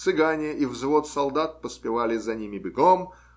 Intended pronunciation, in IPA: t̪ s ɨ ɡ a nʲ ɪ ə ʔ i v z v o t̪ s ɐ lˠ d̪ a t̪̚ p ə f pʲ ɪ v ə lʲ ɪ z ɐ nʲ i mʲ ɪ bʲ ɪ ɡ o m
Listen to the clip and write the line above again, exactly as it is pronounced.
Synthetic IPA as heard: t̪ s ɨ ɡ a nʲ ɪ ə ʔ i v z v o t̪ s ɐ lˠ d̪ a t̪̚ p ə s pʲ ɪ v a lʲ ɪ z ɐ nʲ i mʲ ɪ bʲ ɪ ɡ o m

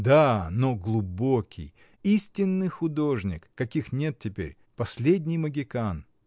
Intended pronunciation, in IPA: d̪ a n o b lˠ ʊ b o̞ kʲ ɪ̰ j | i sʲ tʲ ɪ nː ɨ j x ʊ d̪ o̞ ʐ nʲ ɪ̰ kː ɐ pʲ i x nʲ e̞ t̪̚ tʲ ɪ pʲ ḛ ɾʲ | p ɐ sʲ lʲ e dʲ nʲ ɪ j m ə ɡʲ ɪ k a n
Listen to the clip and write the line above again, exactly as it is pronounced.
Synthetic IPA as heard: d̪ a n o ɡ lˠ ʊ b o̞ kʲ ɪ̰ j | i sʲ tʲ ɪ nː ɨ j x ʊ d̪ o̞ ʐ nʲ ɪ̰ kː ɐ kʲ i x nʲ e̞ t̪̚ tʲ ɪ pʲ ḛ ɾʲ | p ɐ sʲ lʲ e dʲ nʲ ɪ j m ə ɡʲ ɪ k a n

